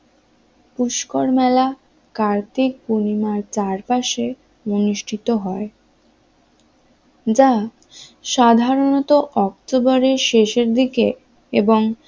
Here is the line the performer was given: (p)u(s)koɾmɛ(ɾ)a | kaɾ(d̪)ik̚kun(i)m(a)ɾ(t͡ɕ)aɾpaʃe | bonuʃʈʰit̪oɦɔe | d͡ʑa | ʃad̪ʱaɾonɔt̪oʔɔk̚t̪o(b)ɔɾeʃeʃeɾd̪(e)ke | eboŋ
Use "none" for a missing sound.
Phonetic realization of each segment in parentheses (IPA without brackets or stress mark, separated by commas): p, ʃ, l, t̪, i, a, t͡ɕ, b, i